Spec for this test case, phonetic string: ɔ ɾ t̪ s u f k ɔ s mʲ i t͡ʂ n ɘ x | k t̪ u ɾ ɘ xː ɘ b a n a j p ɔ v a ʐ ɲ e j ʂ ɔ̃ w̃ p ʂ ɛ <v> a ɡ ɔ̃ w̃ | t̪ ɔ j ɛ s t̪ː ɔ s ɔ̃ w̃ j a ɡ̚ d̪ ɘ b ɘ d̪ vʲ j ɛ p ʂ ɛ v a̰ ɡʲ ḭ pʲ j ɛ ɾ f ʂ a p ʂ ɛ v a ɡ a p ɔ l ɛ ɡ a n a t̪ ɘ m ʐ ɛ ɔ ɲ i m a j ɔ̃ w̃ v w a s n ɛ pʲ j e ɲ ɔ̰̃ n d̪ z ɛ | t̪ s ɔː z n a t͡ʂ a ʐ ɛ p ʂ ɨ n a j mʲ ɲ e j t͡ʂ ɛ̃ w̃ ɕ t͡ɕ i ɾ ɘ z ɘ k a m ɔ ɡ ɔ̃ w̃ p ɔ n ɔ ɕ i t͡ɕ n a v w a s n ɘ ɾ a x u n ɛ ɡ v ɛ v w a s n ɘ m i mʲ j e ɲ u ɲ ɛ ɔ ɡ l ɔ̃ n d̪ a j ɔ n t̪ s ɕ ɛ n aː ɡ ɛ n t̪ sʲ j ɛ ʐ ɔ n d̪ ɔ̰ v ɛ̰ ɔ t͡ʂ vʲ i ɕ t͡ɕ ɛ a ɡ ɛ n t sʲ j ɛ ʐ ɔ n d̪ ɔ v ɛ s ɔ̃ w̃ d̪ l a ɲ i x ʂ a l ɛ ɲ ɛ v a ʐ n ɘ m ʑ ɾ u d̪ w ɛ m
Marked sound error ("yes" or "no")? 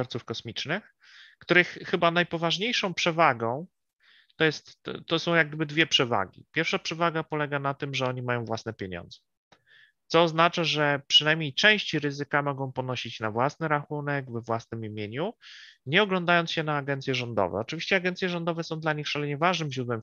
no